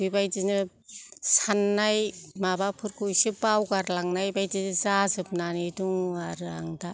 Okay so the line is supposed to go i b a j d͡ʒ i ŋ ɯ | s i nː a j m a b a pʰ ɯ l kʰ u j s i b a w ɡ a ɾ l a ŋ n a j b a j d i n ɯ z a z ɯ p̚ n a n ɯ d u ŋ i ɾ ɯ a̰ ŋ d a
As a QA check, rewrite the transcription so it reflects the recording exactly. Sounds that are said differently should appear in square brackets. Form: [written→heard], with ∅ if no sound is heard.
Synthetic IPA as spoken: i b a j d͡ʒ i [ŋ→n] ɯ | s [i→a] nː a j m a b a pʰ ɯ [l→ɾ] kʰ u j s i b a w ɡ a ɾ l a ŋ n a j b a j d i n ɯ z a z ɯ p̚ n a n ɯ d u ŋ [i→a] ɾ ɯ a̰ ŋ d a